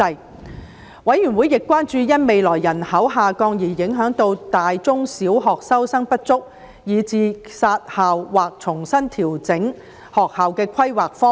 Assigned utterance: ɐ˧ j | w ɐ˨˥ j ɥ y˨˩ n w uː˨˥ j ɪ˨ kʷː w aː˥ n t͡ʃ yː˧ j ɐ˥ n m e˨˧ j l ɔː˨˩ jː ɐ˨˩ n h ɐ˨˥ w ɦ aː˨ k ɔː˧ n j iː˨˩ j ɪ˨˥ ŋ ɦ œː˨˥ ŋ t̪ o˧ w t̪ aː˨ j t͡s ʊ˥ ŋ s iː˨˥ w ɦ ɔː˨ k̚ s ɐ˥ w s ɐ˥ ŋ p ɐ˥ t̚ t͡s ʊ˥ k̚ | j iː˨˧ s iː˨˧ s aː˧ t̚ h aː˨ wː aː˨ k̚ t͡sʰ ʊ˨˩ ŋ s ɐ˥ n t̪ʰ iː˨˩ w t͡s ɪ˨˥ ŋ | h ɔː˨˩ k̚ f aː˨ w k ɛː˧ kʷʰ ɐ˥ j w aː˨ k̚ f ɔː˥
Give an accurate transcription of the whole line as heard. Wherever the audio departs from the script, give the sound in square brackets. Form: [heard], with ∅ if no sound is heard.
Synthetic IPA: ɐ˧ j | w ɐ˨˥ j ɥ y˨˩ n w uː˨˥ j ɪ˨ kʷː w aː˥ n t͡ʃ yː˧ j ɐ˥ n m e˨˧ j l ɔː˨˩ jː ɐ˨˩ n h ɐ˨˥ w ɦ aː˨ k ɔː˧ [ŋ] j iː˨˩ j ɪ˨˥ ŋ ɦ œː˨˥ ŋ t̪ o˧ w t̪ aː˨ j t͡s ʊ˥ ŋ s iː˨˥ w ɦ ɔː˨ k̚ s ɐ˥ w s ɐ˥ ŋ p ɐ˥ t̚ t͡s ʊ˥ k̚ | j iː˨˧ [t͡s] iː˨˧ s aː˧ t̚ h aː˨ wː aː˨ k̚ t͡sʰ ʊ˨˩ ŋ s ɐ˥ n t̪ʰ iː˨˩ w t͡s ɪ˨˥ ŋ | h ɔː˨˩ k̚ [h] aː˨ w k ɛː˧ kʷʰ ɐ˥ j w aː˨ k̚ f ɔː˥